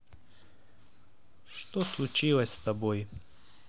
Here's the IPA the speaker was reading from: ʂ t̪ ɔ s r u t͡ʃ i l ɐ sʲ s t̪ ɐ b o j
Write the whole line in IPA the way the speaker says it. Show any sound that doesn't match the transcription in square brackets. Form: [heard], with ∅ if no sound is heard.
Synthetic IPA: [ʃ] t̪ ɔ s [l] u t͡ʃ i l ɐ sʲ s t̪ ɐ b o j